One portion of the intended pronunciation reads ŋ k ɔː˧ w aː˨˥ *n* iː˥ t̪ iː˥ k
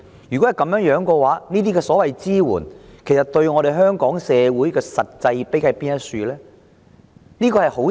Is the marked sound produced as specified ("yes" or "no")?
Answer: yes